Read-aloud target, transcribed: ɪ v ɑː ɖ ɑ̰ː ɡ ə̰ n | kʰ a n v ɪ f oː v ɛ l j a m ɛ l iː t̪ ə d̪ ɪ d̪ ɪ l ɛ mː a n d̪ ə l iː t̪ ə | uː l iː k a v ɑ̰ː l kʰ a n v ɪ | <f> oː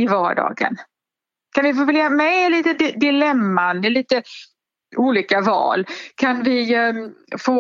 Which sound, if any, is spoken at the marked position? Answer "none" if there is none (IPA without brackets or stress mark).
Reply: f